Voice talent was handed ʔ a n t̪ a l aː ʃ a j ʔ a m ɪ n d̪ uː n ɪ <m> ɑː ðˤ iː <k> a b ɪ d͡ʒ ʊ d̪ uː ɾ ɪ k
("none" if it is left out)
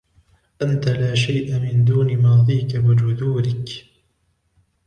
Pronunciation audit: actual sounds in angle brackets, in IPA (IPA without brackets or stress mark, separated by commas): m, k